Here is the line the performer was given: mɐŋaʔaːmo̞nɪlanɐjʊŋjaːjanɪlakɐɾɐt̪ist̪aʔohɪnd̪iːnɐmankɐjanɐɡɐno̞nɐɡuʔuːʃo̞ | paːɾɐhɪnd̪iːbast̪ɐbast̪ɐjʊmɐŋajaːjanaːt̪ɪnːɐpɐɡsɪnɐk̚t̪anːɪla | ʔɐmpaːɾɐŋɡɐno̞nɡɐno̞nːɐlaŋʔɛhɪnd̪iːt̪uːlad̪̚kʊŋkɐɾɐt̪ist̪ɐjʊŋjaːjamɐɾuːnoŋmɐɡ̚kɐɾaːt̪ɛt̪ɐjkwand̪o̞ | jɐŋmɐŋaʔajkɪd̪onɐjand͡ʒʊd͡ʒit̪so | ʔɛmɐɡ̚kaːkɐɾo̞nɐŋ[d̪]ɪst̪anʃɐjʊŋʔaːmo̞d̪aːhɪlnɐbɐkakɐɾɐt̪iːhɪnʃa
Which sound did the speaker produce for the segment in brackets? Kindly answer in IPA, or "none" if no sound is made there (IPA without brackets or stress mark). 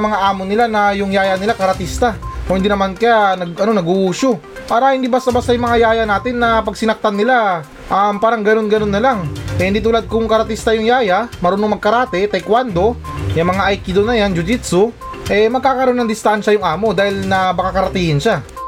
d̪